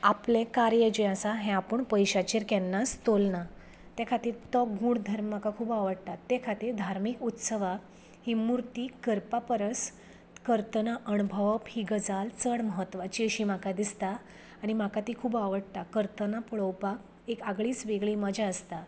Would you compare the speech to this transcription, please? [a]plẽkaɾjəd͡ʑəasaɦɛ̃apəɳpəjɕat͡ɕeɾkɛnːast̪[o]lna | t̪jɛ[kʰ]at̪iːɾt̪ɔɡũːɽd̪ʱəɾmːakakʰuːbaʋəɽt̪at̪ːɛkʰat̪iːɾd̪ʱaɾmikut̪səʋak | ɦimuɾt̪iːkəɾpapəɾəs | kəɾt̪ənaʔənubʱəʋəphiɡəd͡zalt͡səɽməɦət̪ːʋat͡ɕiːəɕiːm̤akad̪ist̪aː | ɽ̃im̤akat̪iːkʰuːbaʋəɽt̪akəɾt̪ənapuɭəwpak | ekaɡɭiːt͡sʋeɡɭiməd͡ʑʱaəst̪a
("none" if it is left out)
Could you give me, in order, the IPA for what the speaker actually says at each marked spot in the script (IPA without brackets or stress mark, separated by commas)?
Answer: a, o, kʰ